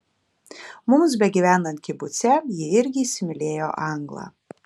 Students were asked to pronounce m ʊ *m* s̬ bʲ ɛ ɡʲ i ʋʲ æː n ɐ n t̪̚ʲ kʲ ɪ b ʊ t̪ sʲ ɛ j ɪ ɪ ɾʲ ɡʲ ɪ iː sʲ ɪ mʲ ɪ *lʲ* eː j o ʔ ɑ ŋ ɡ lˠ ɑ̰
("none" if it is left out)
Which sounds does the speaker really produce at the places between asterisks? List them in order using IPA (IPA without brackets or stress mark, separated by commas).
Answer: m, lʲ